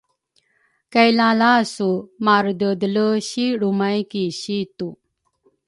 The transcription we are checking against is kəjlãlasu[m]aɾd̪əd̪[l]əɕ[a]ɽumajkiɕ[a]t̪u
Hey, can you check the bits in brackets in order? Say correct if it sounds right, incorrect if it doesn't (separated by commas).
correct, correct, incorrect, incorrect